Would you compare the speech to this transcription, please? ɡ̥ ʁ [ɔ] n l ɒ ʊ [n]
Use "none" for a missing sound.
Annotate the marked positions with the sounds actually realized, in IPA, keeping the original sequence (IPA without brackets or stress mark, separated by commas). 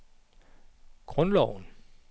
ɔ, n